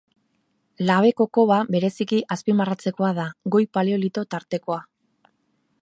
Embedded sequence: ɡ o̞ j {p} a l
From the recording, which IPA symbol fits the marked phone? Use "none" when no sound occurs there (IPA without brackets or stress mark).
p